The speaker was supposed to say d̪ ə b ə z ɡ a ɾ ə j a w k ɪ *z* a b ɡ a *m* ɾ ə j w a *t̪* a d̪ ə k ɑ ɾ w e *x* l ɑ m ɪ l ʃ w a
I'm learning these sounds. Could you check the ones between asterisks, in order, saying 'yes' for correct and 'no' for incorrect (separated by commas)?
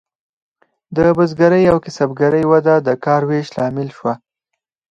no, no, no, no